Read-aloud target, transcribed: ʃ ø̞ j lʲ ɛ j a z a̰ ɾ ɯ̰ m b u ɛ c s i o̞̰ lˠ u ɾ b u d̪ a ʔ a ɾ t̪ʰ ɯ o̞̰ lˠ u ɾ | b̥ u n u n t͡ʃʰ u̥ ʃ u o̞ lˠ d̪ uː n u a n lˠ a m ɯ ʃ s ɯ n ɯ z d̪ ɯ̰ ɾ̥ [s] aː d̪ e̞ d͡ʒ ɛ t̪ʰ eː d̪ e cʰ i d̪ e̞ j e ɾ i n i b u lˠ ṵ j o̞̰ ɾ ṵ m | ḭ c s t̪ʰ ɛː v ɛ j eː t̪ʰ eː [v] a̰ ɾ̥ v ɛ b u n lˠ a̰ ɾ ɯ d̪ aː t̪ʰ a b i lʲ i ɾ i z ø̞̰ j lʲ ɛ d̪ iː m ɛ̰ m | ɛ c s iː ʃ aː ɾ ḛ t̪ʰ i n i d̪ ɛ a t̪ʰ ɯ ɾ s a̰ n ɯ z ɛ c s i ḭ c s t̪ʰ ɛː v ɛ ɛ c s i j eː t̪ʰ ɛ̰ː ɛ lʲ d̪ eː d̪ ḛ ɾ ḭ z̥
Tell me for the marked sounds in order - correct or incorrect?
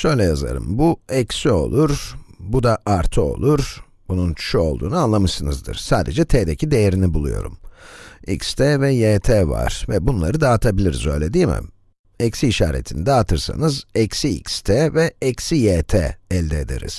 correct, correct

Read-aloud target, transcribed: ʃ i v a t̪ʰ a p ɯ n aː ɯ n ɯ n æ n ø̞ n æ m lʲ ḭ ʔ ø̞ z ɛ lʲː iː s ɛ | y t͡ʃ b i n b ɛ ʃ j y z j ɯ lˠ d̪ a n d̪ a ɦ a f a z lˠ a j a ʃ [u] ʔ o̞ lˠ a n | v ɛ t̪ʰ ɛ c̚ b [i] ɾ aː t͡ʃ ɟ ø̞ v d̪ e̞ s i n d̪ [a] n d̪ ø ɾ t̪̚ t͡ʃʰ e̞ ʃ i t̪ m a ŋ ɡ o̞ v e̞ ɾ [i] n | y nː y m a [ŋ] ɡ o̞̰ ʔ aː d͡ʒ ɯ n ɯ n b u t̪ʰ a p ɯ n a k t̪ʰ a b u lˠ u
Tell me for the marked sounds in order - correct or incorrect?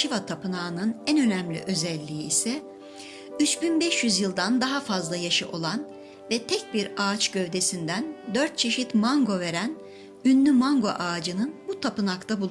incorrect, correct, incorrect, incorrect, correct

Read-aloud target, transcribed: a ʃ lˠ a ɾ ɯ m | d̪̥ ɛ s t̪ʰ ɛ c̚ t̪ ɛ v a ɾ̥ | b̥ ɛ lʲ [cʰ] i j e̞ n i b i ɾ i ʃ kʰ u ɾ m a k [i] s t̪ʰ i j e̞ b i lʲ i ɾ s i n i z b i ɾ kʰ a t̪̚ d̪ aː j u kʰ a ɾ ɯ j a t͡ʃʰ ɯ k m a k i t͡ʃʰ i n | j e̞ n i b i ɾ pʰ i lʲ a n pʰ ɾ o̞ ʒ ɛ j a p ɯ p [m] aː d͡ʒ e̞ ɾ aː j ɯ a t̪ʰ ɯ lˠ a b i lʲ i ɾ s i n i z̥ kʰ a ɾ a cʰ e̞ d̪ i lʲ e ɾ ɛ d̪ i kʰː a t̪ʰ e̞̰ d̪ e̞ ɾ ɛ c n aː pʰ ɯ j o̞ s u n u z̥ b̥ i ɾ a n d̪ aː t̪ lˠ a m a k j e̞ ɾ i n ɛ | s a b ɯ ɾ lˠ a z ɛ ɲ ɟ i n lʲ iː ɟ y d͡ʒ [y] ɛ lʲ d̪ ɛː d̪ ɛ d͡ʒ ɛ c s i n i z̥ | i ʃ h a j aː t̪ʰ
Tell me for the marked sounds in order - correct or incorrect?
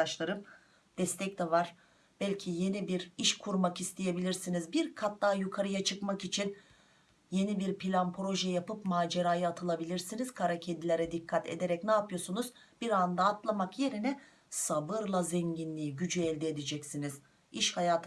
correct, correct, correct, correct

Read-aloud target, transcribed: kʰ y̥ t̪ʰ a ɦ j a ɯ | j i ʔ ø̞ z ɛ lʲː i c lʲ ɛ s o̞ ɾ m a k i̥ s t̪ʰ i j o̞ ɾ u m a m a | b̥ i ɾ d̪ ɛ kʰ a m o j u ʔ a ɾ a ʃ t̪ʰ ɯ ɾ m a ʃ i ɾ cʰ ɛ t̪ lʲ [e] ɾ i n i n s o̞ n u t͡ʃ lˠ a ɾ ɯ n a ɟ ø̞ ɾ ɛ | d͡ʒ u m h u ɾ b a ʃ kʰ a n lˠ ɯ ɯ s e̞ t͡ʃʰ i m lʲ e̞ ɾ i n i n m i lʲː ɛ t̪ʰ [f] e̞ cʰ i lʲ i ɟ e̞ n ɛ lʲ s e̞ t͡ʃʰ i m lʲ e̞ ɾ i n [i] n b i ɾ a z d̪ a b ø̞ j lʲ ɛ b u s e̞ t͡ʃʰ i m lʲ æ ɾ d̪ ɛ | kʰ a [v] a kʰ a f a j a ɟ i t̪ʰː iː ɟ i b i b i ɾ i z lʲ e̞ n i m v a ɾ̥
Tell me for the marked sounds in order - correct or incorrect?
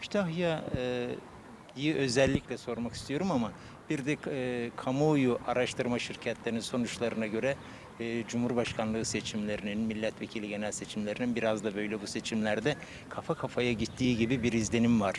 correct, incorrect, correct, incorrect

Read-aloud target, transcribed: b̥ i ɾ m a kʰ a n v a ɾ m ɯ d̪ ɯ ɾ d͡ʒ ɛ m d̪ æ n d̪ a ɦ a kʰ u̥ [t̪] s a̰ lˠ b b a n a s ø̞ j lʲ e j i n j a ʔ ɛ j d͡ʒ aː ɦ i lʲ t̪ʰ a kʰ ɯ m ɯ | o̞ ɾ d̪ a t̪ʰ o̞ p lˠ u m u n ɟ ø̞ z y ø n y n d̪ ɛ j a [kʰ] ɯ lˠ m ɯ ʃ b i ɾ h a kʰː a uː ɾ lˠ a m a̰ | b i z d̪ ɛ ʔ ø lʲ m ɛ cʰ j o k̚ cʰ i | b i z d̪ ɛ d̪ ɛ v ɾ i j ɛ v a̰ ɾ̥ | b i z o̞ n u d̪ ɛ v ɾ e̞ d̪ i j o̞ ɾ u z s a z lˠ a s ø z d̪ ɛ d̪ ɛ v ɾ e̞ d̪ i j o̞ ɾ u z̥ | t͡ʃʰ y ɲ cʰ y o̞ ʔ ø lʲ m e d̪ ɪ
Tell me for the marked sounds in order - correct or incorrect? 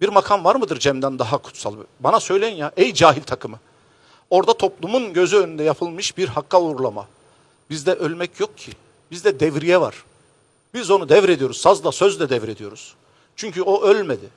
correct, incorrect

